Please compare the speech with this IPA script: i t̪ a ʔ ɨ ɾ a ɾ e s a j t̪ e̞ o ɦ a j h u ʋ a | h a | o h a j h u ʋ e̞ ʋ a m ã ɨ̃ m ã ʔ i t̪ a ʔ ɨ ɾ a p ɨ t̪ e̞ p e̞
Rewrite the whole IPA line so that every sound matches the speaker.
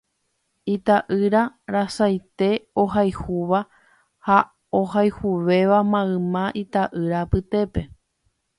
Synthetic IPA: i t̪ a ʔ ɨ ɾ a ɾ a s a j t̪ e̞ o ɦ a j h u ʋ a | h a | o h a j h u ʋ e̞ ʋ a m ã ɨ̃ m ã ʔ i t̪ a ʔ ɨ ɾ a p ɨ t̪ e̞ p e̞